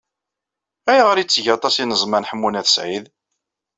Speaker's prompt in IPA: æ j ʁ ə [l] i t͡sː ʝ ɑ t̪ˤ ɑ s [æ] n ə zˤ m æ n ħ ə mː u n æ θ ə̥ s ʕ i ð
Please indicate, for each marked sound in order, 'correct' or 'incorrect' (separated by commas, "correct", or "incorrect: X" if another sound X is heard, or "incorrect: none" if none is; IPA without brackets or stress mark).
incorrect: ɾ, incorrect: i